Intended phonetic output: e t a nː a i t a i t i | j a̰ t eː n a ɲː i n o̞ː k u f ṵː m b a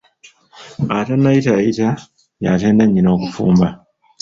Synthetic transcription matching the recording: a t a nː a i t a i t a | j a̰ t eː n a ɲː i n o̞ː k u f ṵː m b a